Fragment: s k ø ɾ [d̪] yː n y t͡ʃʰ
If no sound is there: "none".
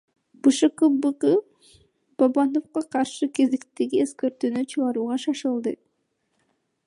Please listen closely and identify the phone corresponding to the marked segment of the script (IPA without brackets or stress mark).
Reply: t̪